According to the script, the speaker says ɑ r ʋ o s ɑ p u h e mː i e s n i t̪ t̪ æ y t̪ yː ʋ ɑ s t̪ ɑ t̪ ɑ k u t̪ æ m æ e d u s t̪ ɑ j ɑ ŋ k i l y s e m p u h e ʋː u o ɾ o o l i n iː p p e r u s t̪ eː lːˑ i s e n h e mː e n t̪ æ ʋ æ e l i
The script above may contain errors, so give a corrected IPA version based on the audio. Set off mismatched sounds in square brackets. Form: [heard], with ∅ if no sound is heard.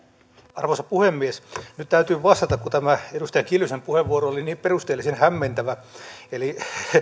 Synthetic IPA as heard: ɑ r ʋ o s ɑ p u h e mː i e s n [y] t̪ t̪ æ y t̪ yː ʋ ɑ s t̪ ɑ t̪ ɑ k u t̪ æ m æ e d u s t̪ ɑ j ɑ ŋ k i l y s e m p u h e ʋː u o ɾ o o l i n iː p p e r u s t̪ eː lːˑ i s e n h [æ] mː e n t̪ æ ʋ æ e l i

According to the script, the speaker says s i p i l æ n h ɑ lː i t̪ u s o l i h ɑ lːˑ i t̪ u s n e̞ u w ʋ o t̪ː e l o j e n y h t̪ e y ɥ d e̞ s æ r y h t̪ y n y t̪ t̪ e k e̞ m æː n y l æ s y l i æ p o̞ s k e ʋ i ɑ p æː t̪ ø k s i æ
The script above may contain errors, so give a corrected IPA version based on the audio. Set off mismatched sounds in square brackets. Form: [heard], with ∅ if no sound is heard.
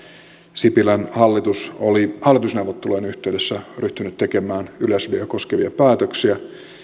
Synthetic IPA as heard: s i p i l æ n h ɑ lː i t̪ u s o l i h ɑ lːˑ i t̪ u s n e̞ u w ʋ o t̪ː e l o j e n y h t̪ e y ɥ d e̞ [sː] æ r y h t̪ y n y t̪ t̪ e k e̞ m æː n y l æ s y l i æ [k] o̞ s k e ʋ i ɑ p æː t̪ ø k s i æ

